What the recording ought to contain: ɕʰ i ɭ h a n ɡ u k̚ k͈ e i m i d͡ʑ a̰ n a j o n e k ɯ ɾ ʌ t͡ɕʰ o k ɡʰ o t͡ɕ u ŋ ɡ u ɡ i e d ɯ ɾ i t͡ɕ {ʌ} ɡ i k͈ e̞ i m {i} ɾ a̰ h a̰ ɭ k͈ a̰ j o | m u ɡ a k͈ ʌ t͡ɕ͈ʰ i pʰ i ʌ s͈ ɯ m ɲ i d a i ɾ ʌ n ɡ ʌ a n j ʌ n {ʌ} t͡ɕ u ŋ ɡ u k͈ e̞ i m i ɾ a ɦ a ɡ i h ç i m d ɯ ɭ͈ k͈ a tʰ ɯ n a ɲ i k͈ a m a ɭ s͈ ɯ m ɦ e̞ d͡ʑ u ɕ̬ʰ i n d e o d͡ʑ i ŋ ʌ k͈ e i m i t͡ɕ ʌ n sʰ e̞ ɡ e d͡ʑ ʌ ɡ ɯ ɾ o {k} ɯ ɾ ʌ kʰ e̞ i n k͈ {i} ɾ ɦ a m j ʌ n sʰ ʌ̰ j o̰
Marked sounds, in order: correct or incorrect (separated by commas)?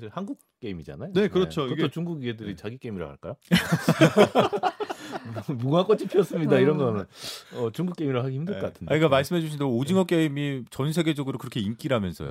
incorrect, correct, correct, correct, correct